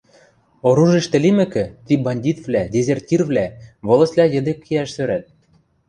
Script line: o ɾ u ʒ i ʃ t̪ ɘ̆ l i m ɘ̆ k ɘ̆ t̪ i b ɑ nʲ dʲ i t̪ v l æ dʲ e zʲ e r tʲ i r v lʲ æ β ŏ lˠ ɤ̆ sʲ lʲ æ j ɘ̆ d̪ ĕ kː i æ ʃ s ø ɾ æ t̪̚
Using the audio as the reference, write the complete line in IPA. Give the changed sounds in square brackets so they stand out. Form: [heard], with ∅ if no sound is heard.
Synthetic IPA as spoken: o ɾ u ʒ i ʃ t̪ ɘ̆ l i m ɘ̆ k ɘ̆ t̪ i b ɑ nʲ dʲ i t̪ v l æ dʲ e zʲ e r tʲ i r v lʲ æ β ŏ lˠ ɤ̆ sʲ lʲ æ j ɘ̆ d̪ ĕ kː i æ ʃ s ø ɾ æ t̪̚